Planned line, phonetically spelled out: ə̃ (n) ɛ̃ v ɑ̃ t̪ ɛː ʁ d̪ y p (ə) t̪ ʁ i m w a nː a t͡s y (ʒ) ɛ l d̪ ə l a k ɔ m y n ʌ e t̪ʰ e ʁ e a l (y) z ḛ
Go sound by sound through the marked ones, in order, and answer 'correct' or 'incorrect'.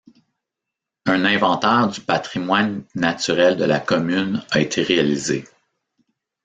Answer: correct, incorrect, incorrect, incorrect

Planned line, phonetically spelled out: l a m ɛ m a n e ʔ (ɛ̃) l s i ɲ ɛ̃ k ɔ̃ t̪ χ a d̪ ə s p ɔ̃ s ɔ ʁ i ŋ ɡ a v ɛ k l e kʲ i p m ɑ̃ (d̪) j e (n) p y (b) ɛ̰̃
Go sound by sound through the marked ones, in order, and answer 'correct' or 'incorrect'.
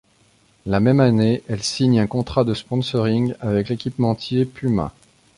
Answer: incorrect, incorrect, incorrect, incorrect

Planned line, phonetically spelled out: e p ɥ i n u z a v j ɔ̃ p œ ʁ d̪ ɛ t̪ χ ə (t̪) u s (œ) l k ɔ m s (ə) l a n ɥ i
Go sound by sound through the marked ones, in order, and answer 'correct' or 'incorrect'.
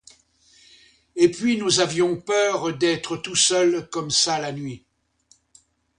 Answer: correct, correct, incorrect

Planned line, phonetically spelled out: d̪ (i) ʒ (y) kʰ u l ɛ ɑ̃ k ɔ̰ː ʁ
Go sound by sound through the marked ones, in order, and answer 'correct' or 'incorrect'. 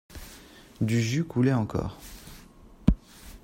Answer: incorrect, correct

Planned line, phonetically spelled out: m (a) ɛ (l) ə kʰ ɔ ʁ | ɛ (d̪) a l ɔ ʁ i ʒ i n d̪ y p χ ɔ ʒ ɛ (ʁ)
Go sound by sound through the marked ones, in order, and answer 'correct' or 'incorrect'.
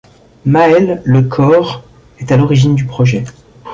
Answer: correct, incorrect, incorrect, incorrect

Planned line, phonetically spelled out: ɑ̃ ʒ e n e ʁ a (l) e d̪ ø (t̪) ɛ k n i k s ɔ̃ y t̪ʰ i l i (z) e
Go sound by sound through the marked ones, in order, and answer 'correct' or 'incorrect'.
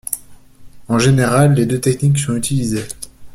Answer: incorrect, correct, correct

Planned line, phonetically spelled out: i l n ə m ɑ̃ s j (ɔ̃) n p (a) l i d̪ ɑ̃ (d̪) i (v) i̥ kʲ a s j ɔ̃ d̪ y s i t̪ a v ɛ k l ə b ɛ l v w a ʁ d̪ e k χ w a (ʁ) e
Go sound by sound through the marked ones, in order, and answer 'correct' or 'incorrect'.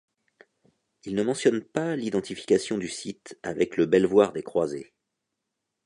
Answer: incorrect, correct, incorrect, incorrect, incorrect

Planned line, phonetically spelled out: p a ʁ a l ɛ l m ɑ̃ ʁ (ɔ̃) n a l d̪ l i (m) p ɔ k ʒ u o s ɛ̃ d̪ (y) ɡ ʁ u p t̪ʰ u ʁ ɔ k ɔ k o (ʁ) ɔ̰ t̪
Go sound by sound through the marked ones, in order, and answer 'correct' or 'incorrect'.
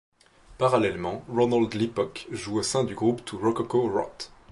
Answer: incorrect, incorrect, correct, correct

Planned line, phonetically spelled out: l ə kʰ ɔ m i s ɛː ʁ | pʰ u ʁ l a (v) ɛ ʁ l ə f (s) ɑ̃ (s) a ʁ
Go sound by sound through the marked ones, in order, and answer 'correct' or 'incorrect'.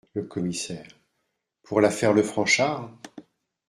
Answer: incorrect, incorrect, incorrect

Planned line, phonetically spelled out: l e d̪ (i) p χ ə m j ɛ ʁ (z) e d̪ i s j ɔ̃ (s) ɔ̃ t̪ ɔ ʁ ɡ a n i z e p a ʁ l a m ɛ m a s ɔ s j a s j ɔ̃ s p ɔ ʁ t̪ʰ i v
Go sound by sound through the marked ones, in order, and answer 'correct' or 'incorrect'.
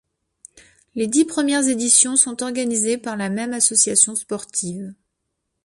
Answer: correct, correct, correct

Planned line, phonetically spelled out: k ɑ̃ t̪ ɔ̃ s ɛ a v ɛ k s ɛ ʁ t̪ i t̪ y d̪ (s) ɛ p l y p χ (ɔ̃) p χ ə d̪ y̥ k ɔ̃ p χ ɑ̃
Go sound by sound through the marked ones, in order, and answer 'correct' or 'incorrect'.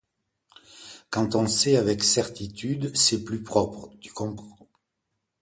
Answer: correct, incorrect

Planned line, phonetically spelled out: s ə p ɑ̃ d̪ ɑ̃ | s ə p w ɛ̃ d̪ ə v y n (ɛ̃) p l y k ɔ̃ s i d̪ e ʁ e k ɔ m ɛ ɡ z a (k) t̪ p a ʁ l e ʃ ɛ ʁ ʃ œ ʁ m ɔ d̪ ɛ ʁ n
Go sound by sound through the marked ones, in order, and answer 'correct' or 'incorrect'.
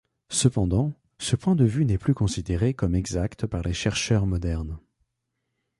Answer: incorrect, correct

